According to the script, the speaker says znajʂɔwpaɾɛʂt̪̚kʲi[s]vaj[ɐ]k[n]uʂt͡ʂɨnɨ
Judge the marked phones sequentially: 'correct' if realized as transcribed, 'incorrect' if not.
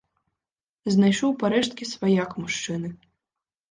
correct, incorrect: a, incorrect: m

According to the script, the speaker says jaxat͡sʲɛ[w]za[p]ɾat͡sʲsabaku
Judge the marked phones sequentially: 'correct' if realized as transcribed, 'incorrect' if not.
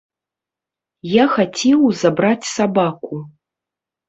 correct, incorrect: b

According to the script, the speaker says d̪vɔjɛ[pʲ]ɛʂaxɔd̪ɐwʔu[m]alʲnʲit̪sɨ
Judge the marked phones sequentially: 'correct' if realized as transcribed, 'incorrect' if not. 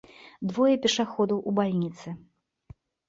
correct, incorrect: b

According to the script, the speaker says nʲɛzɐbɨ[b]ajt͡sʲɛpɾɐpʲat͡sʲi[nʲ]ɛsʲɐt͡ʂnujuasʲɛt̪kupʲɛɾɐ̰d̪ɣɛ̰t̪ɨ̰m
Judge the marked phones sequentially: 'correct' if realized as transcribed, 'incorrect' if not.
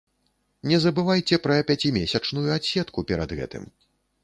incorrect: v, incorrect: mʲ

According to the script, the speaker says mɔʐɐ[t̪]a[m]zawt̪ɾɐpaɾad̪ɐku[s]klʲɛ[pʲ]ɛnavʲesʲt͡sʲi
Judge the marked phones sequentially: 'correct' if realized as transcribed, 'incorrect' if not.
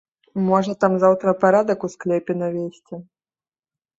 correct, correct, correct, correct

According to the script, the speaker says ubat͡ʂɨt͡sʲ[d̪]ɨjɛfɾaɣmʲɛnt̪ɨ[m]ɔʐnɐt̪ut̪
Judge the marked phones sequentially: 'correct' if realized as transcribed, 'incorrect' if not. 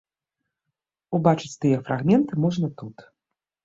incorrect: t̪, correct

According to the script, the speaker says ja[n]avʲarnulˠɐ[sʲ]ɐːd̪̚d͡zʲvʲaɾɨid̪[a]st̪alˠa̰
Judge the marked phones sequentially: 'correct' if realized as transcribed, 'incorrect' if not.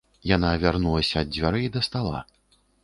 correct, correct, incorrect: ɐ

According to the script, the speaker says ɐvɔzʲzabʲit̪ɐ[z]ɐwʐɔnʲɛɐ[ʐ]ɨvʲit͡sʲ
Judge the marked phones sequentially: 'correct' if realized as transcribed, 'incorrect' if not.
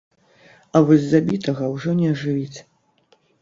incorrect: ɣ, correct

